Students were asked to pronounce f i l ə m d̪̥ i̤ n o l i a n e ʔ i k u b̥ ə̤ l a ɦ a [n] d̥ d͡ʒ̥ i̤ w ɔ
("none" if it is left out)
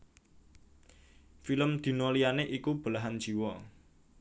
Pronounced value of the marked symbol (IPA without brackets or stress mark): n